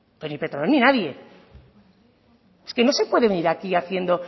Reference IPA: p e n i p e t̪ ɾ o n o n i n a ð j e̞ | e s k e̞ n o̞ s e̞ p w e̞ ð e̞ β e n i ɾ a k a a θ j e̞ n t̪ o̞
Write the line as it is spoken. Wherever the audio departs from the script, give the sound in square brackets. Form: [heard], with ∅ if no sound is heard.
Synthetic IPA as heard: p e n i p e t̪ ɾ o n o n i n a ð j e̞ | e s k e̞ n o̞ s e̞ p w e̞ ð e̞ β e n i ɾ a k [i] a θ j e̞ n [d̪] o̞